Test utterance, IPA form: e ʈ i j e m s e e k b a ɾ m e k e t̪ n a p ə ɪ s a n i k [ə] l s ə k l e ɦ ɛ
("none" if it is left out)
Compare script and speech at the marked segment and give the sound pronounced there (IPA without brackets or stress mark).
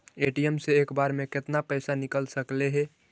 ə